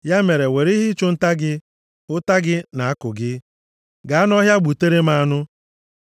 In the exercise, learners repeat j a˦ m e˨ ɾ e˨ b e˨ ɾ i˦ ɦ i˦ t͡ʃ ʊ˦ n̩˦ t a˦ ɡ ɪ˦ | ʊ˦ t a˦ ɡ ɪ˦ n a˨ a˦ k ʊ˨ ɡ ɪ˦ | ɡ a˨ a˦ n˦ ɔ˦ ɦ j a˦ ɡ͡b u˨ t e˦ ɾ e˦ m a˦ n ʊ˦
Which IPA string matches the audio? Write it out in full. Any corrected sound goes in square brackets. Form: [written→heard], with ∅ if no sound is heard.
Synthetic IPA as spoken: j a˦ m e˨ ɾ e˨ [b→w] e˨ ɾ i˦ ɦ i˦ t͡ʃ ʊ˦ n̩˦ t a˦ ɡ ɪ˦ | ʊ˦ t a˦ ɡ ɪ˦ n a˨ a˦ k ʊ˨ ɡ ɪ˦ | ɡ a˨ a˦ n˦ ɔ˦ ɦ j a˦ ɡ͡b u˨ t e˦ ɾ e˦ m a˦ n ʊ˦

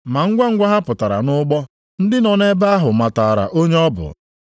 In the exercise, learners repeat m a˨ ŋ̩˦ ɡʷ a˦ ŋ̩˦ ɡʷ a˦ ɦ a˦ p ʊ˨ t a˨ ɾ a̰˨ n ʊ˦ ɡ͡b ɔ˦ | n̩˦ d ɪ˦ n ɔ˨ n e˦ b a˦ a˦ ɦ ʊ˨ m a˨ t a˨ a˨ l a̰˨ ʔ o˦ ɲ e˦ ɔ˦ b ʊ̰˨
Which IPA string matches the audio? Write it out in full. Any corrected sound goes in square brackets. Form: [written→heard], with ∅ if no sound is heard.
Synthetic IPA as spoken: m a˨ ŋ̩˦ ɡʷ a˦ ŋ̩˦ ɡʷ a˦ ɦ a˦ p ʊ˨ t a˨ ɾ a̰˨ n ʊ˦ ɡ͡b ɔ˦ | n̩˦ d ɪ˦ n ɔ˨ n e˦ b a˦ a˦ ɦ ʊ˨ m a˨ t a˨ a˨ [l→ɾ] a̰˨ ʔ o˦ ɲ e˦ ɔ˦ b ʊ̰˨

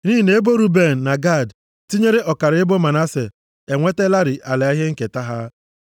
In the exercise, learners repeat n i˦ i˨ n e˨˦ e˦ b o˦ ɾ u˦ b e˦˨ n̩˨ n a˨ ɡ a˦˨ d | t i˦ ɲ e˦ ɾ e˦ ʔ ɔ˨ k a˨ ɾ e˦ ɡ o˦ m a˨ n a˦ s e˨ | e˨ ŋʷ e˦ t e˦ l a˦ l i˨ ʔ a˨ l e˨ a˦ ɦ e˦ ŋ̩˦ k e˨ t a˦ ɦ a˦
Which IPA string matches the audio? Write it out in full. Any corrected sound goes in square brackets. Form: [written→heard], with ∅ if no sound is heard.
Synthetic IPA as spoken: n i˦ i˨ n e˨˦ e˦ b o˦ ɾ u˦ b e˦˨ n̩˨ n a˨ ɡ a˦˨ d | t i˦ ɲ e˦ ɾ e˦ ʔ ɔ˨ k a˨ ɾ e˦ [ɡ→b] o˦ m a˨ n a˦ s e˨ | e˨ ŋʷ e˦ t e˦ l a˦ [l→ɾ] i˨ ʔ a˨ l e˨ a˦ ɦ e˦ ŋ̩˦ k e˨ t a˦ ɦ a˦

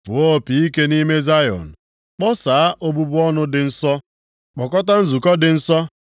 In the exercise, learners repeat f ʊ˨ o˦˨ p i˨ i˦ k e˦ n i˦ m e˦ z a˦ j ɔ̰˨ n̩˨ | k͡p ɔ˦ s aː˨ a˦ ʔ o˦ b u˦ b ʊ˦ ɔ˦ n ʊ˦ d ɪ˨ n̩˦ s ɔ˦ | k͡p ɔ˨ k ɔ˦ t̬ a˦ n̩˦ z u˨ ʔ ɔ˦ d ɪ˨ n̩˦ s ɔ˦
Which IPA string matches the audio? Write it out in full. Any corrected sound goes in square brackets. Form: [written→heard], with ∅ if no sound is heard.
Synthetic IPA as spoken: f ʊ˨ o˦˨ p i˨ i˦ k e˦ n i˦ m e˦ z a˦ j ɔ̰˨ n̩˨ | k͡p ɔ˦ s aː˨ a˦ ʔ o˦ b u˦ b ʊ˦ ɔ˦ n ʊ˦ d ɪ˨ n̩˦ s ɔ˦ | k͡p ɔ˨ k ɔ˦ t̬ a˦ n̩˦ z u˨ [ʔ→k] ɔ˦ d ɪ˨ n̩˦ s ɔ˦

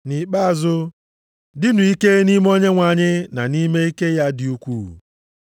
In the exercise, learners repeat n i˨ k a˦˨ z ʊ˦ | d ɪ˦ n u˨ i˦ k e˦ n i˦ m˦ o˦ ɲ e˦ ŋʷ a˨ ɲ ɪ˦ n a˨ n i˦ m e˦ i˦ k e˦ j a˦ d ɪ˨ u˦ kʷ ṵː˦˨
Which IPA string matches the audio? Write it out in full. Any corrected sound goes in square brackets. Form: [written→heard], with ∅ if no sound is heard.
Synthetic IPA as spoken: n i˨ [k→k͡p] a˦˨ z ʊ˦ | d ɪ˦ n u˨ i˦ k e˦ n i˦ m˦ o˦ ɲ e˦ ŋʷ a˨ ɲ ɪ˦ n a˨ n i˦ m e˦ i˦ k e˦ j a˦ d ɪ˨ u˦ kʷ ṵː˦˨

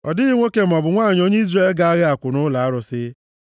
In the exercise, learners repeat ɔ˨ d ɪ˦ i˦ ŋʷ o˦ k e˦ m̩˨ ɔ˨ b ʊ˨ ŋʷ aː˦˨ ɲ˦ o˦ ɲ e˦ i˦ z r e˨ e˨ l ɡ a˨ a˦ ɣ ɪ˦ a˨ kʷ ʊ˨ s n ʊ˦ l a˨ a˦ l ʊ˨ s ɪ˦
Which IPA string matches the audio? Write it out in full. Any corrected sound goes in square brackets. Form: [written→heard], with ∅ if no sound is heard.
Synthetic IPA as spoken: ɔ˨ d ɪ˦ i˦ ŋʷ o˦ k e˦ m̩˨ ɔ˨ b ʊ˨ ŋʷ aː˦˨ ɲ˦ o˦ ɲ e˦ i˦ z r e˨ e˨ l ɡ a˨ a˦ ɣ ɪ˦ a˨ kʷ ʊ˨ [s→∅] n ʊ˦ l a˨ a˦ [l→ɾ] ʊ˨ s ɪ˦

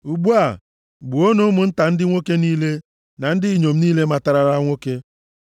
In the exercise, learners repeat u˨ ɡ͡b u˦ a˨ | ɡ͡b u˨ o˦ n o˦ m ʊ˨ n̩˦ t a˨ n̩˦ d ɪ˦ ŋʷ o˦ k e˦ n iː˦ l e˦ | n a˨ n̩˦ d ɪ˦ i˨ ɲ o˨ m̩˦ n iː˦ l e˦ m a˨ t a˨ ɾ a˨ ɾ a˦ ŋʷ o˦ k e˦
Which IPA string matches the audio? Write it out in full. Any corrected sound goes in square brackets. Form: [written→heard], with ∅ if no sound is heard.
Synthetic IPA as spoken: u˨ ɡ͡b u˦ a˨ | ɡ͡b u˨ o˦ n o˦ m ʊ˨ n̩˦ t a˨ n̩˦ d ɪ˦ ŋʷ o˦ k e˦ n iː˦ l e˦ | n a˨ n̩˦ d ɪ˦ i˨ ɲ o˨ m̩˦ n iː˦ l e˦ m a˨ t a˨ ɾ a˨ ɾ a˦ ŋʷ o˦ k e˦

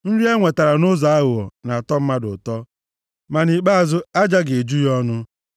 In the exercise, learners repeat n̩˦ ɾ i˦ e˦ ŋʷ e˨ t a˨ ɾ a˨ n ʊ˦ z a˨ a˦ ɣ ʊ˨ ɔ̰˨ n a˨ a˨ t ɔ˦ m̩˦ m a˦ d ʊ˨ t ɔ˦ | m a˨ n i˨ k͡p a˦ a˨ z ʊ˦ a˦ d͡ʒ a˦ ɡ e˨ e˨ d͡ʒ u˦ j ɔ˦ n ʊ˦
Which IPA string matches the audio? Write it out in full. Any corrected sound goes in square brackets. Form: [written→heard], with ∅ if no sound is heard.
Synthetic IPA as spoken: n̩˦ ɾ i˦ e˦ ŋʷ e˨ t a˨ ɾ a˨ n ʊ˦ z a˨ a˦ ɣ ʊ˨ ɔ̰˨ n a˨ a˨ t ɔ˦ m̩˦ m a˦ d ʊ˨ t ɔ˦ | m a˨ n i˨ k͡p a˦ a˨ z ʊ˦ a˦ d͡ʒ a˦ ɡ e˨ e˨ d͡ʒ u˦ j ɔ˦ n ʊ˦

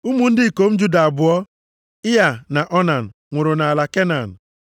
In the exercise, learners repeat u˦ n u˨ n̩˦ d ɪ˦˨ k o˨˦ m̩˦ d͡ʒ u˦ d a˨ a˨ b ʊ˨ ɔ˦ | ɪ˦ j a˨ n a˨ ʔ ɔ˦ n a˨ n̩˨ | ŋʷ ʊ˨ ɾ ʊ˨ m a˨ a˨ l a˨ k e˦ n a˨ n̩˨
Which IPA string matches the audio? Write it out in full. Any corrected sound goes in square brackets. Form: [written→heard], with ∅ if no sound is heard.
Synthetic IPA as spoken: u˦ [n→m] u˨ n̩˦ d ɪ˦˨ k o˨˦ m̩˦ d͡ʒ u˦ d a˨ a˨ b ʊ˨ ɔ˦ | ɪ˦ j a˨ n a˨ ʔ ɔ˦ n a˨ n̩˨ | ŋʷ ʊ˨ ɾ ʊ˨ [m→n] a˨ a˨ l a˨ k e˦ n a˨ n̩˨

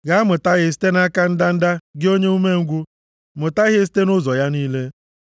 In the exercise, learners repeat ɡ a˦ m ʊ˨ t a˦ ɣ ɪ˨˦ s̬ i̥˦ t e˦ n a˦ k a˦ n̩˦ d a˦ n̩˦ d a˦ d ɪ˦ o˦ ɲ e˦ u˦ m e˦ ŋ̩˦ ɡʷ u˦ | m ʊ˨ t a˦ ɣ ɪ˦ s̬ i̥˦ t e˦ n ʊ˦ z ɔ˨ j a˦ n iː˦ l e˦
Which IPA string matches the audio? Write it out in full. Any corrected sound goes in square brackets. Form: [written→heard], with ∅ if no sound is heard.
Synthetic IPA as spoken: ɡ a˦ m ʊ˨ t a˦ ɣ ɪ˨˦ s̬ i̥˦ t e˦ n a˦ k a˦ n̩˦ d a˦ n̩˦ d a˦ [d→ɡ] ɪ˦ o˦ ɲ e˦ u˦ m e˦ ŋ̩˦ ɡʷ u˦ | m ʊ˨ t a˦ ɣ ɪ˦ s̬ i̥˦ t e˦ n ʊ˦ z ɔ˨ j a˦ n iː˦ l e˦

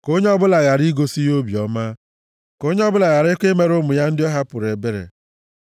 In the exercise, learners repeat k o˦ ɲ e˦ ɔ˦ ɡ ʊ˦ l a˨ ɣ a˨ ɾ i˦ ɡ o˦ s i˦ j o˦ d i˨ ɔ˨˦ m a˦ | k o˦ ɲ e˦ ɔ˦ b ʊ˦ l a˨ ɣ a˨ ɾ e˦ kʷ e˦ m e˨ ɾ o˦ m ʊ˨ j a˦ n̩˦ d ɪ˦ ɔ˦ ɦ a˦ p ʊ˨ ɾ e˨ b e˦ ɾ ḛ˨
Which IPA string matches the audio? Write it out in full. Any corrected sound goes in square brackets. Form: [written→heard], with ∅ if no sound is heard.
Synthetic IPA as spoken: k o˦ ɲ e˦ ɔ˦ [ɡ→b] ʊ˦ l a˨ ɣ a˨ ɾ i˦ ɡ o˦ s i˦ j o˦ [d→b] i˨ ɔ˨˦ m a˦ | k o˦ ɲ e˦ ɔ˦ b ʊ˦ l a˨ ɣ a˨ ɾ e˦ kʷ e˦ m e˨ ɾ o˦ m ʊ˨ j a˦ n̩˦ d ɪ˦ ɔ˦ ɦ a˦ p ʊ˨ ɾ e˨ b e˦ ɾ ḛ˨

